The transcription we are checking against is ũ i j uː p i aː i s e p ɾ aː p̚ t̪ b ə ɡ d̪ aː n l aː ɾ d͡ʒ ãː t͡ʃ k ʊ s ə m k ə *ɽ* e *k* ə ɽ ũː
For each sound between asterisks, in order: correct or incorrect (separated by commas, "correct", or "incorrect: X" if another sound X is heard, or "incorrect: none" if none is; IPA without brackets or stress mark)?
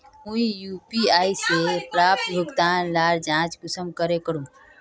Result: incorrect: ɾ, correct